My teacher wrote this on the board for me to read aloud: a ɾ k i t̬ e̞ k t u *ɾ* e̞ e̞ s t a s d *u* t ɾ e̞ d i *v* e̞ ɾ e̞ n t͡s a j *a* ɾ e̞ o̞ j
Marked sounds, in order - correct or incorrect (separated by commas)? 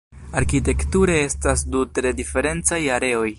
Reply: correct, correct, incorrect, correct